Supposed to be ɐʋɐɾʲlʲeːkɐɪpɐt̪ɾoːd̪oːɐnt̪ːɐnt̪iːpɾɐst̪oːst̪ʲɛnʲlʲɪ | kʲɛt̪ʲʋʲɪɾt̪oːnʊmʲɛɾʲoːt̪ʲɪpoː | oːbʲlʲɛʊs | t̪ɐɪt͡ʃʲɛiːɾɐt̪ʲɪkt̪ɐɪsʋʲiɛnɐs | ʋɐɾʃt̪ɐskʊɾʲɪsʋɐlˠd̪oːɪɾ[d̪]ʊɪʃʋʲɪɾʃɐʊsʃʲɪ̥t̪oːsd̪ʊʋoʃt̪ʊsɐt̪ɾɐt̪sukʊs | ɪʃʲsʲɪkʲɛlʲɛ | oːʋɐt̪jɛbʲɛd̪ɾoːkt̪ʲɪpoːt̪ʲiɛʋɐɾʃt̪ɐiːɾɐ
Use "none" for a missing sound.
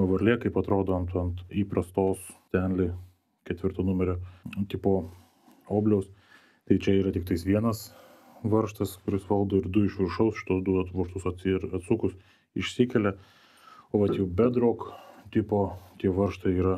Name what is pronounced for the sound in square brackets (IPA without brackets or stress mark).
d̪